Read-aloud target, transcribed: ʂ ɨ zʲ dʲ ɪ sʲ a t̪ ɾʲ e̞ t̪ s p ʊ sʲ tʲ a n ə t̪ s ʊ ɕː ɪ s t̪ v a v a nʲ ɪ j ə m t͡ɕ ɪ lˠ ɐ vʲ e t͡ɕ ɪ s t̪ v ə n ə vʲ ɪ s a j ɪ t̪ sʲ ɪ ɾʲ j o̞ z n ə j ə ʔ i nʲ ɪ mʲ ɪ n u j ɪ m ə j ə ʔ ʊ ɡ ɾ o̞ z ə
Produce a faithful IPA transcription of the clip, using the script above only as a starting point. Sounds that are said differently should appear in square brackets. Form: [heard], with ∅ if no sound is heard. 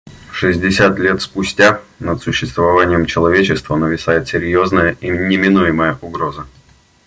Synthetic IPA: ʂ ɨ zʲ dʲ ɪ sʲ a t̪ [lʲ] e̞ t̪ s p ʊ sʲ tʲ a n ə t̪ s ʊ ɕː ɪ s t̪ v [ɐ] v a nʲ ɪ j ə m t͡ɕ ɪ lˠ ɐ vʲ e t͡ɕ ɪ s t̪ v ə n ə vʲ ɪ s a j ɪ t̪ sʲ ɪ ɾʲ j o̞ z n ə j ə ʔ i nʲ ɪ mʲ ɪ n u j ɪ m ə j ə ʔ ʊ ɡ ɾ o̞ z ə

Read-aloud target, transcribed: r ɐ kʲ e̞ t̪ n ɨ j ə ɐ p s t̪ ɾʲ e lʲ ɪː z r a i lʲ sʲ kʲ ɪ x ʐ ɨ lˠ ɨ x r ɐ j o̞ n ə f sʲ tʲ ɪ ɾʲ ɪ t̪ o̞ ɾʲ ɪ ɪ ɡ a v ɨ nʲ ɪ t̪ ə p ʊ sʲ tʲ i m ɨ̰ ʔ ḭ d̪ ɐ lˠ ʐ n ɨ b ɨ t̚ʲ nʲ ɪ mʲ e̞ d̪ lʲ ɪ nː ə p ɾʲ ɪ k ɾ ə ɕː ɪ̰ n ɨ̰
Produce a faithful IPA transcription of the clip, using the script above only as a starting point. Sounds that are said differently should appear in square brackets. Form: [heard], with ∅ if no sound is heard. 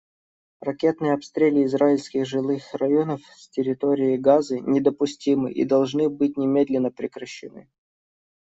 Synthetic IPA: r ɐ kʲ e̞ t̪ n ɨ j ə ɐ p s t̪ ɾʲ e lʲ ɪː z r a [ɪ] lʲ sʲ kʲ ɪ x ʐ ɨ lˠ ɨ x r ɐ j o̞ n ə f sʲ tʲ ɪ ɾʲ ɪ t̪ o̞ ɾʲ ɪ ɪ ɡ a [z] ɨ nʲ ɪ [d̪] ə p ʊ sʲ tʲ i m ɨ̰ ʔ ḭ d̪ ɐ lˠ ʐ n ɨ b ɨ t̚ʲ nʲ ɪ mʲ e̞ d̪ lʲ ɪ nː ə p ɾʲ ɪ k ɾ ə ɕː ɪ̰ n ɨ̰

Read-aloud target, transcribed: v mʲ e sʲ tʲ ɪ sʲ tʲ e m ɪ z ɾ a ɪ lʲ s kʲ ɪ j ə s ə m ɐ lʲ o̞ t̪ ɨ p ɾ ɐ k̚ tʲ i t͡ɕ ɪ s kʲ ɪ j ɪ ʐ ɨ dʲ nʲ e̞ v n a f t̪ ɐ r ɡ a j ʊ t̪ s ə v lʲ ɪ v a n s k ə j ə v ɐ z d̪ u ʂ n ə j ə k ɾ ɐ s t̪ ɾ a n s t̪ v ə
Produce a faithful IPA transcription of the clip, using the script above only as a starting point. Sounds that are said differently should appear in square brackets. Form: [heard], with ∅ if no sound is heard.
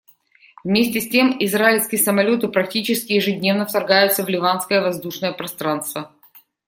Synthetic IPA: v mʲ e sʲ tʲ ɪ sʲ tʲ e m ɪ z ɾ a ɪ lʲ s kʲ ɪ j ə s ə m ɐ lʲ o̞ t̪ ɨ p ɾ ɐ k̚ tʲ i t͡ɕ ɪ s kʲ ɪ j ɪ ʐ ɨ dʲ nʲ e̞ v n [ə] f t̪ ɐ r ɡ a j ʊ t̪ s ə v lʲ ɪ v a n s k ə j ə v ɐ z d̪ u ʂ n ə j ə [p] ɾ ɐ s t̪ ɾ a n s t̪ v ə

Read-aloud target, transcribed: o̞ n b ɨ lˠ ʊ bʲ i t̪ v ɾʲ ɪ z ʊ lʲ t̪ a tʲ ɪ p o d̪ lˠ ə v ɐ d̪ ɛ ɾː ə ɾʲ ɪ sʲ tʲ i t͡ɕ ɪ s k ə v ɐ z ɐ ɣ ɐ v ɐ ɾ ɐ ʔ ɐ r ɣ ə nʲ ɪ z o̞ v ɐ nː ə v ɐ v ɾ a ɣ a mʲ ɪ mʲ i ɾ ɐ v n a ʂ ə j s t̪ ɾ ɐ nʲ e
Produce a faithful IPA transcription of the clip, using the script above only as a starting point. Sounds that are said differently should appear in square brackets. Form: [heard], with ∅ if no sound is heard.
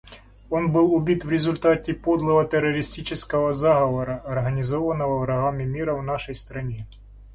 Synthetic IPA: o̞ n b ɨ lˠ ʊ bʲ i t̪ v ɾʲ ɪ z ʊ lʲ t̪ a tʲ ɪ p o d̪ lˠ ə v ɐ [t̪] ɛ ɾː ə ɾʲ ɪ sʲ tʲ i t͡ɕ ɪ s k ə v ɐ z [a] ɣ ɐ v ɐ ɾ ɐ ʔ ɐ r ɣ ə nʲ ɪ z o̞ v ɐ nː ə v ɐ v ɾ [ɐ] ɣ a mʲ ɪ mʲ i ɾ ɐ v n a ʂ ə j s t̪ ɾ ɐ nʲ e

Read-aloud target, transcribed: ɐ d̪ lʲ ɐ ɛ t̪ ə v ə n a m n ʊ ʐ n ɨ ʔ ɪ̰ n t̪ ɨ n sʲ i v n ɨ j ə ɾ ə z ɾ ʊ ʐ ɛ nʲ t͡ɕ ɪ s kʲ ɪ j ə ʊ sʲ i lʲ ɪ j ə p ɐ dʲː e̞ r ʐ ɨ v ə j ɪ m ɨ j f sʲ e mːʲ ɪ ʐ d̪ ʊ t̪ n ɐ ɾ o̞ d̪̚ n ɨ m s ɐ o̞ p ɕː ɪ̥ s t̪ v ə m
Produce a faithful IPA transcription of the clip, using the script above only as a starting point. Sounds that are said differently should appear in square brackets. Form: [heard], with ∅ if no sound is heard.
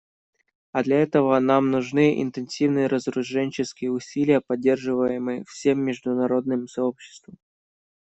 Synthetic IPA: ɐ d̪ lʲ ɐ ɛ t̪ ə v ə n a m n ʊ ʐ n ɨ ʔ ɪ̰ n t̪ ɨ n sʲ i v n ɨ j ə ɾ ə z ɾ ʊ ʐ ɛ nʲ t͡ɕ ɪ s kʲ ɪ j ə ʊ sʲ i lʲ ɪ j ə p ɐ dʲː e̞ r ʐ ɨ v ə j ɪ m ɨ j f sʲ e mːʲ ɪ ʐ d̪ ʊ [∅] n ɐ ɾ o̞ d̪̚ n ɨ m s ɐ o̞ p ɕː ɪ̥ s t̪ v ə m

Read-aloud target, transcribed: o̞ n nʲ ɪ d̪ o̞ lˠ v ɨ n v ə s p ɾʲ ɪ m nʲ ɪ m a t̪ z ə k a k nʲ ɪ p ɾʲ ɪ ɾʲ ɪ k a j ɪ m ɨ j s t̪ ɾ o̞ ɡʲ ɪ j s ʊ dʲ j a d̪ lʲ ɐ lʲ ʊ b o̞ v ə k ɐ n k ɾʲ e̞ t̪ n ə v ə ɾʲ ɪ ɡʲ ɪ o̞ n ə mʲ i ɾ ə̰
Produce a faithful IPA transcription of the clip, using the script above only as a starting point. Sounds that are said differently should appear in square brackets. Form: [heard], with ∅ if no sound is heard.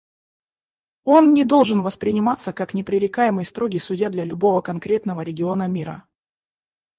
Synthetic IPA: o̞ n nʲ ɪ d̪ o̞ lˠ [ʐ] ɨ n v ə s p ɾʲ ɪ [∅] nʲ ɪ m a t̪ [s] ə k a k nʲ ɪ p ɾʲ ɪ ɾʲ ɪ k a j ɪ m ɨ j s t̪ ɾ o̞ ɡʲ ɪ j s ʊ dʲ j a d̪ lʲ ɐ lʲ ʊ b o̞ v ə k ɐ n k ɾʲ e̞ t̪ n ə v ə ɾʲ ɪ ɡʲ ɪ o̞ n ə mʲ i ɾ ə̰

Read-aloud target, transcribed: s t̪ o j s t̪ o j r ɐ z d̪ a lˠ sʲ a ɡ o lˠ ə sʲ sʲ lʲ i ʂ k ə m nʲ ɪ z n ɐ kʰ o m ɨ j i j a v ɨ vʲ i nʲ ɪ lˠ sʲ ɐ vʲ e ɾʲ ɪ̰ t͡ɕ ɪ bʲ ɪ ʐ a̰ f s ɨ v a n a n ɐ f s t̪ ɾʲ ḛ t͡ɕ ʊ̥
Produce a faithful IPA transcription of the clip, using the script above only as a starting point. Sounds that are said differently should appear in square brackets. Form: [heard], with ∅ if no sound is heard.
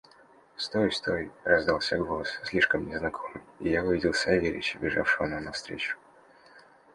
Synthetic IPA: s t̪ o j s t̪ o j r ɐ z d̪ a lˠ sʲ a ɡ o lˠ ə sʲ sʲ lʲ i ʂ k ə m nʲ ɪ z n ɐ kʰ o m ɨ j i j a v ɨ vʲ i [dʲ] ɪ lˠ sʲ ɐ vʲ e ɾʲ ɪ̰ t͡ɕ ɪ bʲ ɪ ʐ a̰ f [ʂ] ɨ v [ə] n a n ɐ f s t̪ ɾʲ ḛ t͡ɕ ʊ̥

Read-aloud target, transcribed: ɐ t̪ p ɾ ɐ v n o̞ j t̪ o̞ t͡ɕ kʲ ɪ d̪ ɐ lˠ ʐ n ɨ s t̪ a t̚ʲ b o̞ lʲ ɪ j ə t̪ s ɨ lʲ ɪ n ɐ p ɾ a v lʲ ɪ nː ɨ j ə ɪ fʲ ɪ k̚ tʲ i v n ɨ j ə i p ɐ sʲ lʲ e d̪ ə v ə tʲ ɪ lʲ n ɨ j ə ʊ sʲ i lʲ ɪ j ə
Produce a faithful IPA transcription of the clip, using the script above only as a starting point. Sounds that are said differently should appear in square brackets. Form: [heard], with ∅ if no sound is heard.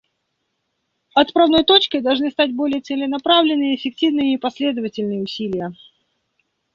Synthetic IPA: ɐ t̪ p ɾ ɐ v n o̞ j t̪ o̞ t͡ɕ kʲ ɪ d̪ ɐ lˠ ʐ n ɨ s t̪ a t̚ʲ b o̞ lʲ ɪ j ə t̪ s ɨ lʲ ɪ n ɐ p ɾ a v lʲ ɪ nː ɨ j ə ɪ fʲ ɪ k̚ tʲ i v n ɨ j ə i p ɐ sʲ lʲ e d̪ ə v ə tʲ ɪ lʲ n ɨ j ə ʊ sʲ i lʲ ɪ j ə

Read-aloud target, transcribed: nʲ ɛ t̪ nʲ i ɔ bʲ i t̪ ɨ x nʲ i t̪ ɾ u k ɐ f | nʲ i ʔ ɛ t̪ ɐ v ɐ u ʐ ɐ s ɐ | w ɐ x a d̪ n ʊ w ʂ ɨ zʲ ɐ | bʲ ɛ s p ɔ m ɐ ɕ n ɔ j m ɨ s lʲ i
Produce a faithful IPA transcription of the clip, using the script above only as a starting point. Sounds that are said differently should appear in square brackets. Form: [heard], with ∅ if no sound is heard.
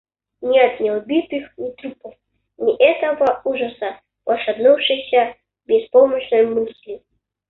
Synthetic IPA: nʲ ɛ t̪ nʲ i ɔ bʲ i t̪ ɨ x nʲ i t̪ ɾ u [p] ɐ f | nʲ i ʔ ɛ t̪ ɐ v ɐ u ʐ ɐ s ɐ | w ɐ [ʂ] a d̪ n [u] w ʂ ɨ [sʲ] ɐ | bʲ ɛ s p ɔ m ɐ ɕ n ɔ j m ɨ s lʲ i

